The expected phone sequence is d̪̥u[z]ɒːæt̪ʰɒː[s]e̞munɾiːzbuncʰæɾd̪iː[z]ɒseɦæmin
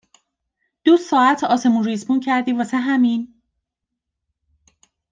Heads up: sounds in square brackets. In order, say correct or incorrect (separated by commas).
incorrect, correct, incorrect